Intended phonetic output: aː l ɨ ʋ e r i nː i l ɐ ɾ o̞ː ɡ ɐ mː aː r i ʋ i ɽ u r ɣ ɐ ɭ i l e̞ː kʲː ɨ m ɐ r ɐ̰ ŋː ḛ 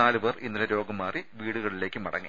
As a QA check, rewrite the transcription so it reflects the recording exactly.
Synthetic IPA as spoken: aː l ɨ ʋ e r i nː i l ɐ ɾ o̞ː ɡ ɐ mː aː r i ʋ iː ɽ u ɣ ɐ ɭ i l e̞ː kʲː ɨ m ɐ ɽ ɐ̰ ŋː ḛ